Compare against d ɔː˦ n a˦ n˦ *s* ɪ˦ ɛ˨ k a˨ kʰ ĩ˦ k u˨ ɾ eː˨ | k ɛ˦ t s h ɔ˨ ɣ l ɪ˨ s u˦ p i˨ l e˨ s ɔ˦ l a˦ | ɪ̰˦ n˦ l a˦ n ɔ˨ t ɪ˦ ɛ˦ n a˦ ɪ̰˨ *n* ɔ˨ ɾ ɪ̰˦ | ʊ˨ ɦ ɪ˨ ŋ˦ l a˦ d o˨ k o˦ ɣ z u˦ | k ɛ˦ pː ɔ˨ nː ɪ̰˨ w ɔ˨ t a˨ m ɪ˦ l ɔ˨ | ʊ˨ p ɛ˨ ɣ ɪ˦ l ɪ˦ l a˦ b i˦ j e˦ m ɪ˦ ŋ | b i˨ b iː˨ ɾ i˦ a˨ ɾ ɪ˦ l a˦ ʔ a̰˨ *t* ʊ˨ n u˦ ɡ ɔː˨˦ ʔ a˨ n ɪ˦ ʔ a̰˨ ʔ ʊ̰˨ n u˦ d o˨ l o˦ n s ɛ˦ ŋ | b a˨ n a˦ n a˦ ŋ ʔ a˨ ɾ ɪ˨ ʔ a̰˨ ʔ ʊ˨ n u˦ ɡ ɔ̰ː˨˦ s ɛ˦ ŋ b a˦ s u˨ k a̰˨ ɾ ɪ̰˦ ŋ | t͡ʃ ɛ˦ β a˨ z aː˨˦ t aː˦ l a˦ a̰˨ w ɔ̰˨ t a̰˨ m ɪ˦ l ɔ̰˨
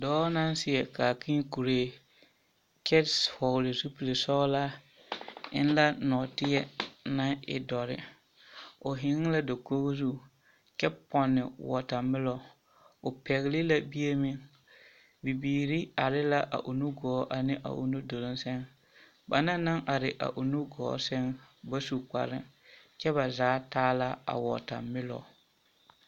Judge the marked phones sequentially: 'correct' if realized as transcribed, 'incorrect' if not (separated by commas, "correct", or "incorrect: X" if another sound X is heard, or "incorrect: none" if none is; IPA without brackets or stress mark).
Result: correct, incorrect: d, incorrect: ʔ